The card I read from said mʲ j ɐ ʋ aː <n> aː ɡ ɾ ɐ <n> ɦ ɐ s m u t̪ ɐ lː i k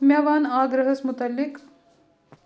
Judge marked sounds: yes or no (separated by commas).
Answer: yes, no